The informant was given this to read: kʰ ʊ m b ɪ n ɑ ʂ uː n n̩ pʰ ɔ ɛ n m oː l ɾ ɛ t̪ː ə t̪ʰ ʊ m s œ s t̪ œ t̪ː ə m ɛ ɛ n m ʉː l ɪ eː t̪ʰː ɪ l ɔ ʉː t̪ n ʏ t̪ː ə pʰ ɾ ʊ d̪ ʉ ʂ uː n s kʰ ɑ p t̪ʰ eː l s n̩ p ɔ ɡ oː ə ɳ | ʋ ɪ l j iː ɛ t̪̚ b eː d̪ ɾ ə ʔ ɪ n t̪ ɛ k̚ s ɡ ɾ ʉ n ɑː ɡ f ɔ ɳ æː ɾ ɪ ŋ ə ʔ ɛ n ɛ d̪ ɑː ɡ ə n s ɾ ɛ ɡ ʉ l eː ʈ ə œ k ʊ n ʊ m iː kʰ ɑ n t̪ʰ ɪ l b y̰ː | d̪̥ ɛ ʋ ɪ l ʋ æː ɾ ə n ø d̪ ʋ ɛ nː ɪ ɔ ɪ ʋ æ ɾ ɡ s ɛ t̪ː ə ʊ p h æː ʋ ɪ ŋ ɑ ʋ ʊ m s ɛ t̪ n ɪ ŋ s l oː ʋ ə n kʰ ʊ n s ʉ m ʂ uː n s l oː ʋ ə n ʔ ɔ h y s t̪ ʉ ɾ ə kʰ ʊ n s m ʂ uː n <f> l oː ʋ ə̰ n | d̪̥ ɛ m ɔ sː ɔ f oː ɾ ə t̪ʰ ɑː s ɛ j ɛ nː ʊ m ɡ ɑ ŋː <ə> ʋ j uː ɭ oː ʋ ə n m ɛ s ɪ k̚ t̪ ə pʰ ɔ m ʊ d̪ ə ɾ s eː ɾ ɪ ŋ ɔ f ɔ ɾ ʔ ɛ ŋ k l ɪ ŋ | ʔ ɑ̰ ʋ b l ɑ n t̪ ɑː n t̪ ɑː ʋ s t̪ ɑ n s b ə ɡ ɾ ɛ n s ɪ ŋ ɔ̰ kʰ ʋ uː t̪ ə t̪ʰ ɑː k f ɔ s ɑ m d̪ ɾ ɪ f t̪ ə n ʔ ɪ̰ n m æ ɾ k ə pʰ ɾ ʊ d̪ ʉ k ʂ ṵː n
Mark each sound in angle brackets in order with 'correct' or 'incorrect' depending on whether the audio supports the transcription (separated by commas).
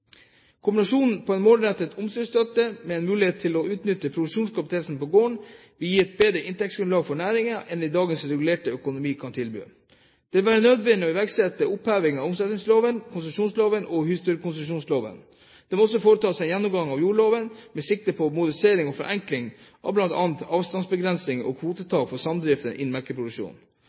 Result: incorrect, incorrect